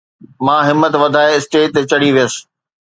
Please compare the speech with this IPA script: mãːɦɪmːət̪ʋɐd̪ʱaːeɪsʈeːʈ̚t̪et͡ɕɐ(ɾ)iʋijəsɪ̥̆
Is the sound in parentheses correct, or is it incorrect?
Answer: incorrect